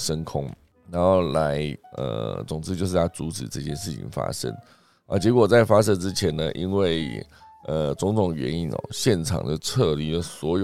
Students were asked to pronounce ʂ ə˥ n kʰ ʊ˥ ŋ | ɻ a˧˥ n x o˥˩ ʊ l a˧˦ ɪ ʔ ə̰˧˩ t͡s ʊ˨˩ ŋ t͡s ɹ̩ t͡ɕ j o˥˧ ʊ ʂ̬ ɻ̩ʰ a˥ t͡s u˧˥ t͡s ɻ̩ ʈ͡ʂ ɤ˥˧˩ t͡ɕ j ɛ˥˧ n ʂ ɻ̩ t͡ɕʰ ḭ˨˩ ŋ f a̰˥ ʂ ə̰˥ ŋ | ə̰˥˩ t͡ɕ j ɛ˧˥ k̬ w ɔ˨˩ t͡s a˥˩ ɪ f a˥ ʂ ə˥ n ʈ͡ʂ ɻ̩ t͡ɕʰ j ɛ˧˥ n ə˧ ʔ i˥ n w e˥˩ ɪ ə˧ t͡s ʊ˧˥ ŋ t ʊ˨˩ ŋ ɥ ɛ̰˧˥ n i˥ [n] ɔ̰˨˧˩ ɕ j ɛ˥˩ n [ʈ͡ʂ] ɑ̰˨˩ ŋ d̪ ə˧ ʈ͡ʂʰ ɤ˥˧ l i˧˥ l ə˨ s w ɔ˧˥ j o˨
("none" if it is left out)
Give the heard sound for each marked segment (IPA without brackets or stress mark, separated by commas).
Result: n, ʈ͡ʂʰ